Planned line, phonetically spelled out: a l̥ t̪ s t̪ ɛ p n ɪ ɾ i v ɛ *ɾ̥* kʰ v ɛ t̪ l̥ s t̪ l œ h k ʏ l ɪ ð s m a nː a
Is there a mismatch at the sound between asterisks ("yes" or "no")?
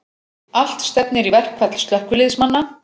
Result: yes